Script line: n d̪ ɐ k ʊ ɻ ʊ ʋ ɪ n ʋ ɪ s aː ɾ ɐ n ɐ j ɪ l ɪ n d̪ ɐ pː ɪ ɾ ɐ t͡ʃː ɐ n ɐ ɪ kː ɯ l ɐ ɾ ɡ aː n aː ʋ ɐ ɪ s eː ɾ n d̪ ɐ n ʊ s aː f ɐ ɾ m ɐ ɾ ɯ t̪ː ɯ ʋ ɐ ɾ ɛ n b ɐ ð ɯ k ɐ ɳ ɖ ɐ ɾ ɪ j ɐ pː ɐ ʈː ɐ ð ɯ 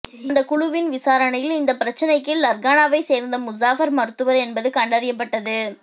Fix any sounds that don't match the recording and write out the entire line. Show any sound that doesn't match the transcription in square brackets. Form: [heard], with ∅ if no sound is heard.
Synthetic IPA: n d̪ ɐ k ʊ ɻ ʊ ʋ ɪ n ʋ ɪ s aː ɾ ɐ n ɐ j ɪ l ɪ n d̪ ɐ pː ɪ ɾ ɐ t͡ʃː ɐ n ɐ ɪ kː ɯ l ɐ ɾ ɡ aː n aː ʋ ɐ ɪ s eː ɾ n d̪ ɐ [m] ʊ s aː f ɐ ɾ m ɐ ɾ ɯ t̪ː ɯ ʋ ɐ ɾ ɛ n b ɐ ð ɯ k ɐ ɳ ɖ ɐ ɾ ɪ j ɐ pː ɐ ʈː ɐ ð ɯ